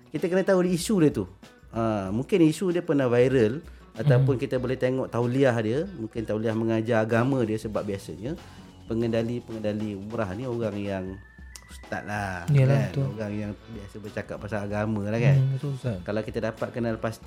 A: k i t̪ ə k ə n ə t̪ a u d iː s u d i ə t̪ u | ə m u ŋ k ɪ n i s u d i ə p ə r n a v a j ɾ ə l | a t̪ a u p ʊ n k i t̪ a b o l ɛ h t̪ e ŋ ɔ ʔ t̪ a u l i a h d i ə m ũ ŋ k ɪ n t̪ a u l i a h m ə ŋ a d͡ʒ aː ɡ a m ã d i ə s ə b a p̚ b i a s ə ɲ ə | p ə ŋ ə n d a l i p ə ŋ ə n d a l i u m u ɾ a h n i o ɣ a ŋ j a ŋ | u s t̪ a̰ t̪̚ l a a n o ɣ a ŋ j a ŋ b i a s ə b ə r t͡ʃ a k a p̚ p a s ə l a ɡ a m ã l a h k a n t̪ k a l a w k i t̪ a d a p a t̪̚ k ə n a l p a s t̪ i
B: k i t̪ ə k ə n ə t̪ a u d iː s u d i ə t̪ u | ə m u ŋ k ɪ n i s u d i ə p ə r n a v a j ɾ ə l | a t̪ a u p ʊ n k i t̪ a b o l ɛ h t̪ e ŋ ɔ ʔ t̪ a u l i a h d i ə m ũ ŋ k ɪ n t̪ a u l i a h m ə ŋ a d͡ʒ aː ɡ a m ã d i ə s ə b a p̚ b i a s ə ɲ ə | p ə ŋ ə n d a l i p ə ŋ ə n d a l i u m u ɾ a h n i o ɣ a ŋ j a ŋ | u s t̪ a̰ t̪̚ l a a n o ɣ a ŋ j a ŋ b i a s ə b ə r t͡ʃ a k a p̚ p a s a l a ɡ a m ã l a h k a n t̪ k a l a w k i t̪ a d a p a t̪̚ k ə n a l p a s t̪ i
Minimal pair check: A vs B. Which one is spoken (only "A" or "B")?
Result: B